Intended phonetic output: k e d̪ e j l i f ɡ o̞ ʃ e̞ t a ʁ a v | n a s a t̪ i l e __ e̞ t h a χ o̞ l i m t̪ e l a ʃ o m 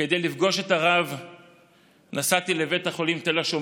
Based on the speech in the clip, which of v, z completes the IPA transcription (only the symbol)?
v